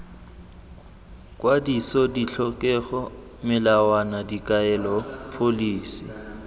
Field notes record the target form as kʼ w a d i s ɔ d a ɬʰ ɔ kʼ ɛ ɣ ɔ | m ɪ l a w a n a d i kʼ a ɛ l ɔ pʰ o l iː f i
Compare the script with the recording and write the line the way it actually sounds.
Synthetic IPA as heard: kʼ w a d i s ɔ d i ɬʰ ɔ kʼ ɛ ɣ ɔ | m ɪ l a w a n a d i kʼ a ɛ l ɔ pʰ o l iː s i